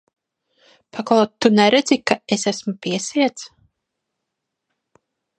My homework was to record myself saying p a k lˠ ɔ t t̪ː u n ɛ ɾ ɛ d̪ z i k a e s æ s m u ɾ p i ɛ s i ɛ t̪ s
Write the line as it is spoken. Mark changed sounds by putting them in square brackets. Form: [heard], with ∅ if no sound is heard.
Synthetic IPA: p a k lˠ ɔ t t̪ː u n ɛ ɾ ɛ d̪ z i k a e s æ s m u [∅] p i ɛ s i ɛ t̪ s